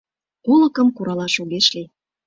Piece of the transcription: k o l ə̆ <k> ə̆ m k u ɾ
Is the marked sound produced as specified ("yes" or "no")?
yes